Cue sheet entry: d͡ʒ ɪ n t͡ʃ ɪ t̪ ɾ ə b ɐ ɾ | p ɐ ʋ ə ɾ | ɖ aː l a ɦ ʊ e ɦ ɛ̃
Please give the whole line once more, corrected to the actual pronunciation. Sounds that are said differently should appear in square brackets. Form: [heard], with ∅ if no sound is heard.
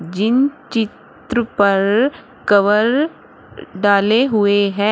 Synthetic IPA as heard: d͡ʒ ɪ n t͡ʃ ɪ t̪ ɾ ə [p] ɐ ɾ | [k] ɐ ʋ ə ɾ | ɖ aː l [e] ɦ ʊ e ɦ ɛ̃